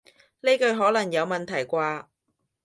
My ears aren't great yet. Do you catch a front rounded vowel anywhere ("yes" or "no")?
no